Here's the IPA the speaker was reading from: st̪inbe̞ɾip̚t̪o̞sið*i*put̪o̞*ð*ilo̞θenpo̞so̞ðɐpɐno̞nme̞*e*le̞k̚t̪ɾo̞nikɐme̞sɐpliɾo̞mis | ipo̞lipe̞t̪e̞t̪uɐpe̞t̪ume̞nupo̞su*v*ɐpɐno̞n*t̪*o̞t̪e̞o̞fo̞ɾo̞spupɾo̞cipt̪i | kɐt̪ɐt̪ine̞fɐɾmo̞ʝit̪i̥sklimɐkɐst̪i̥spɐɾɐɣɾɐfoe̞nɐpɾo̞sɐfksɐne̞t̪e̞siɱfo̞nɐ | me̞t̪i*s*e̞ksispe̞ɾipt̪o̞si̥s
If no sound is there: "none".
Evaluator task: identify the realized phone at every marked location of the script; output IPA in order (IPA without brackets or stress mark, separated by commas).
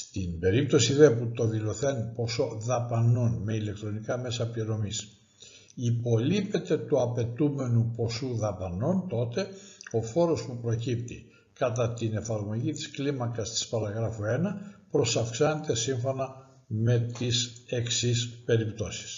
e, ð, i, ð, t̪, s